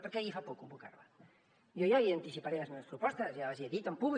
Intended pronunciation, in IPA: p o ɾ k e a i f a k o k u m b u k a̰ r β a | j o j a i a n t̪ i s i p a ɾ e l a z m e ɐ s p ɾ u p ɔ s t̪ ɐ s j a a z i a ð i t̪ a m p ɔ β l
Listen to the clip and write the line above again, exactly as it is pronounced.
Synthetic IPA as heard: p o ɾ k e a i f a p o k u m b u k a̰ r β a | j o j a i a n t̪ i s i p a ɾ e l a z m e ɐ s p ɾ u p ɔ s t̪ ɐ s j a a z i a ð i t̪ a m p u β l